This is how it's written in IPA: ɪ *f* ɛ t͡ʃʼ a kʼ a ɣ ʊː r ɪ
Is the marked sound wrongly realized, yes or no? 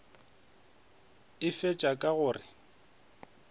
no